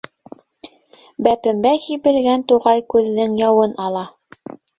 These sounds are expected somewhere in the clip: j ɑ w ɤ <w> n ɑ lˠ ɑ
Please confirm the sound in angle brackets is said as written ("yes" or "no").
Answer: no